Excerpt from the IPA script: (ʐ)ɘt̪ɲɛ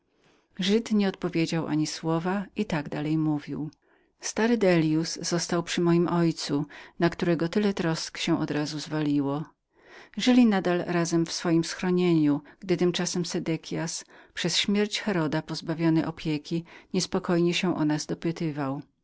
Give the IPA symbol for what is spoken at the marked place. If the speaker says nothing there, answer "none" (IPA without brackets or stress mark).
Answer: ʐ